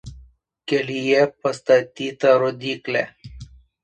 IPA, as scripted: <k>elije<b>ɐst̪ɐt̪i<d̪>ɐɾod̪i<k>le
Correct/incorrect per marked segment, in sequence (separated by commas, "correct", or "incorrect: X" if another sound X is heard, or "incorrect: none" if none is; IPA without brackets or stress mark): correct, incorrect: p, incorrect: t̪, correct